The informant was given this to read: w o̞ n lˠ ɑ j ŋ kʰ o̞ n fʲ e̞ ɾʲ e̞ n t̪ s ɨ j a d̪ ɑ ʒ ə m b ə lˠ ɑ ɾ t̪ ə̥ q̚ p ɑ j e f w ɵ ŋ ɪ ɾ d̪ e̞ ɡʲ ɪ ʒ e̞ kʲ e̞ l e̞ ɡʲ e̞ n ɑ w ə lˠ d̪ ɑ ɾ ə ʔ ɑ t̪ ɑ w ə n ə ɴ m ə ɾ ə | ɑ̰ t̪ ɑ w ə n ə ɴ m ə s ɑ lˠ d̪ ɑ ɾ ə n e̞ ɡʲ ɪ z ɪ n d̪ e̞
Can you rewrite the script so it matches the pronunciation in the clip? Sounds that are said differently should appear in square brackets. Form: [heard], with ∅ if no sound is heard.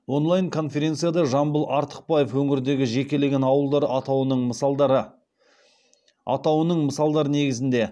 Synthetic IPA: w o̞ n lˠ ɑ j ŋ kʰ o̞ n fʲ e̞ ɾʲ e̞ n t̪ s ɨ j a d̪ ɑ ʒ [ɑ] m b ə lˠ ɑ ɾ t̪ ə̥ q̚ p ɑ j e f w ɵ ŋ ɪ ɾ d̪ e̞ ɡʲ ɪ ʒ e̞ kʲ e̞ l e̞ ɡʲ e̞ n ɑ w ə lˠ d̪ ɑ ɾ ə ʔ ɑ t̪ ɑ w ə n ə ɴ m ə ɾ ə | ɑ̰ t̪ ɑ w ə n ə ɴ m ə s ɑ lˠ d̪ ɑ ɾ ə n e̞ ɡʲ ɪ z ɪ n d̪ e̞

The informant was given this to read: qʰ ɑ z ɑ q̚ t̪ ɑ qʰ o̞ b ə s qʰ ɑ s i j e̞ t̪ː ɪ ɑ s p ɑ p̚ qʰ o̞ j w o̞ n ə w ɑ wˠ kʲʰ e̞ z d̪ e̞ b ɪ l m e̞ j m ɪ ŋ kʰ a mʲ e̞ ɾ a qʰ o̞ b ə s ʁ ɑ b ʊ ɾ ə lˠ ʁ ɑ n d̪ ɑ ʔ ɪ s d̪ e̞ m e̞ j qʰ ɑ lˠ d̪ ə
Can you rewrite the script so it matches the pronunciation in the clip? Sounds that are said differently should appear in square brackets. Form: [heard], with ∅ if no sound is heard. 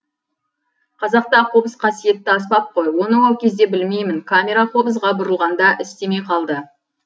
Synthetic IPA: qʰ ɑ z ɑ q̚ t̪ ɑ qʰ o̞ b ə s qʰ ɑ s i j e̞ t̪ː ɪ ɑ s p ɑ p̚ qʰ o̞ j w o̞ n ə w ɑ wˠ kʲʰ e̞ z d̪ e̞ b ɪ l m e̞ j m ɪ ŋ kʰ a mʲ e̞ ɾ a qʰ o̞ b ə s ʁ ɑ b ʊ ɾ ə lˠ ʁ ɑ n d̪ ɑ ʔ ɪ s [t̪] e̞ m e̞ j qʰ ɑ lˠ d̪ ə

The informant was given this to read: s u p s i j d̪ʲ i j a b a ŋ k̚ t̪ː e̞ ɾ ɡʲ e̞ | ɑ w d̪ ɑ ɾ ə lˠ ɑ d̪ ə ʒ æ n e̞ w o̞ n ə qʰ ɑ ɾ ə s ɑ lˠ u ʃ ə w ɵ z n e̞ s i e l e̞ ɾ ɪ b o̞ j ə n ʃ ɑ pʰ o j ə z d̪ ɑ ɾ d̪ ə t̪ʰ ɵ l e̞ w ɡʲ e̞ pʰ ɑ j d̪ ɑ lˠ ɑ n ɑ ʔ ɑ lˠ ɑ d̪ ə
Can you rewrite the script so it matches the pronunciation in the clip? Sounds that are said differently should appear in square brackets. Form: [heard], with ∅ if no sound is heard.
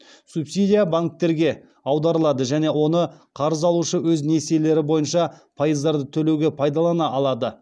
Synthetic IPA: s u p s i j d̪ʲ i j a b a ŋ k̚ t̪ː e̞ ɾ ɡʲ e̞ | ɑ w d̪ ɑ ɾ ə lˠ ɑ d̪ ə ʒ æ n e̞ w o̞ n ə qʰ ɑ ɾ ə [z] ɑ lˠ u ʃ ə w ɵ z n e̞ s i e l e̞ ɾ ɪ b o̞ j ə n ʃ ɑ pʰ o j ə z d̪ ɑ ɾ d̪ ə t̪ʰ ɵ l e̞ w ɡʲ e̞ pʰ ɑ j d̪ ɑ lˠ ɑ n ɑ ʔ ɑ lˠ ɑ d̪ ə

